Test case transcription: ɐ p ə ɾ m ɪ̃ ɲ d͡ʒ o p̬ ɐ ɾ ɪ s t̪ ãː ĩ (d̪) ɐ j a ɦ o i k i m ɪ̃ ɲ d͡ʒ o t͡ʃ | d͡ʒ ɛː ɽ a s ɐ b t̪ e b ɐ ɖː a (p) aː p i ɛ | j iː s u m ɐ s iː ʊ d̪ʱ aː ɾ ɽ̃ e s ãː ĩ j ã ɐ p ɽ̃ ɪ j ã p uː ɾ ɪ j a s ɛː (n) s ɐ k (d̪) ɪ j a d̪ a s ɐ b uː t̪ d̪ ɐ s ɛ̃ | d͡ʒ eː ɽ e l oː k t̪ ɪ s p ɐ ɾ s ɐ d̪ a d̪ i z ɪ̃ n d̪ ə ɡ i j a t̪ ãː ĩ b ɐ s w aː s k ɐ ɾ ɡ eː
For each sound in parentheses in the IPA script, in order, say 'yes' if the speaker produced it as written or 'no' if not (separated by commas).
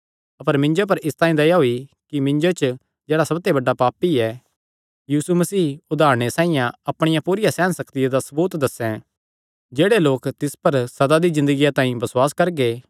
yes, yes, yes, no